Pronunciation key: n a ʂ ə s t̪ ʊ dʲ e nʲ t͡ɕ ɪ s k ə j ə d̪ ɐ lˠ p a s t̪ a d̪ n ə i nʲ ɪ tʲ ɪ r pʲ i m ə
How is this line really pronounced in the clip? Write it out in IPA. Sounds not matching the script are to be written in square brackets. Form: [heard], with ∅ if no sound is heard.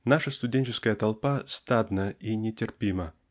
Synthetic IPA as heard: n a ʂ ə s t̪ ʊ dʲ e nʲ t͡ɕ ɪ s k ə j ə [t̪] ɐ lˠ p a s t̪ a d̪ n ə i nʲ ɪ tʲ ɪ r pʲ i m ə